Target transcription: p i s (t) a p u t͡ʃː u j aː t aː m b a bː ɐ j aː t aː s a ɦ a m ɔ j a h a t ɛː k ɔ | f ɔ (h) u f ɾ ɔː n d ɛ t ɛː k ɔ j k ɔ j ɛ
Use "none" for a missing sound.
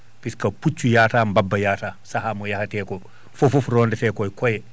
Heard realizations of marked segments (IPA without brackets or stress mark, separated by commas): k, f